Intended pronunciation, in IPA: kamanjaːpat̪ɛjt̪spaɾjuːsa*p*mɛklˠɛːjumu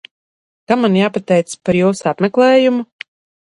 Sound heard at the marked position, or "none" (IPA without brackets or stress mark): p